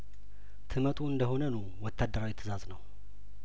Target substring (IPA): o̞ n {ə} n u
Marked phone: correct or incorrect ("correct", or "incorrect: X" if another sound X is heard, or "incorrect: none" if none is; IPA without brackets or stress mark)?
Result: correct